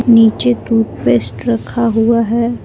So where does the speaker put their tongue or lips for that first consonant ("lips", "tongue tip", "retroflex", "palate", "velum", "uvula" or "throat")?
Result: tongue tip